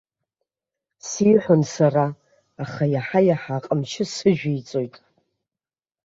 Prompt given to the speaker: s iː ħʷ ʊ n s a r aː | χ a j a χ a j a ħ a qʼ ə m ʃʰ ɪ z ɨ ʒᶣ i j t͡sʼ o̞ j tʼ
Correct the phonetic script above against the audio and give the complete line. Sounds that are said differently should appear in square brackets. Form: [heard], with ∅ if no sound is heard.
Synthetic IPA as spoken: s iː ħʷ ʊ n s a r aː | χ a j a [ħ] a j a ħ a qʼ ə m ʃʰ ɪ [s] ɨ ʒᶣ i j t͡sʼ o̞ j tʼ